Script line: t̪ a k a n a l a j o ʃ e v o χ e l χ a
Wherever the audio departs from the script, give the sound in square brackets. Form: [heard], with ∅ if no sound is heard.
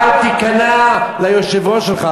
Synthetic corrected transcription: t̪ [i] k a n a l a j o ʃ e v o [ʃ] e l χ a